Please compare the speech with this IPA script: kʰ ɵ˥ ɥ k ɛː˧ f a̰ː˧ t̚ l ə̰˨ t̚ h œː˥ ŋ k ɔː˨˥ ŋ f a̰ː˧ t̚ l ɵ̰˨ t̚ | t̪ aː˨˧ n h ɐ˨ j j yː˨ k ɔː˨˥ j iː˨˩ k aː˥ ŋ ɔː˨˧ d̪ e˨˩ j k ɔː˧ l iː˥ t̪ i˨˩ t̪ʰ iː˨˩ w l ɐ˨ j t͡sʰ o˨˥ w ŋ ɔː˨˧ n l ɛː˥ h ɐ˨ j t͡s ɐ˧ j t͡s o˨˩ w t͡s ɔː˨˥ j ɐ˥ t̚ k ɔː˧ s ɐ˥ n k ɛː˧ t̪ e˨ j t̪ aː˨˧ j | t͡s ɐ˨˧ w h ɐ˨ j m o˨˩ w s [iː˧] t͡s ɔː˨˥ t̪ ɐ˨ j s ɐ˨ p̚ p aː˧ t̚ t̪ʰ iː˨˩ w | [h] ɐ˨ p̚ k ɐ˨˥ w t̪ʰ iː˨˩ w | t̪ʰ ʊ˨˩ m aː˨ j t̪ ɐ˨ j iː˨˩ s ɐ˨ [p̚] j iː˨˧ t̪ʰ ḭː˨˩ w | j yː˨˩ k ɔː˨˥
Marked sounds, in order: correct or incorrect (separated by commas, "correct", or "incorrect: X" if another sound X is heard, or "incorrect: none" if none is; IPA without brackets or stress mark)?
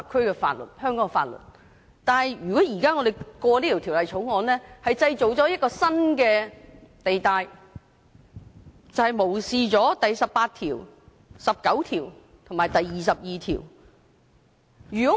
correct, incorrect: s, correct